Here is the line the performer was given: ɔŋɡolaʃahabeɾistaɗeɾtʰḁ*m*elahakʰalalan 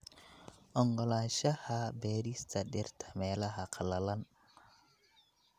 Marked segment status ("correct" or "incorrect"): correct